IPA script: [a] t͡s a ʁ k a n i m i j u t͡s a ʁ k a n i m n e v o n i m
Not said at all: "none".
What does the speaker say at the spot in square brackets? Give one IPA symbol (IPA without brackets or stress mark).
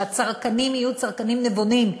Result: a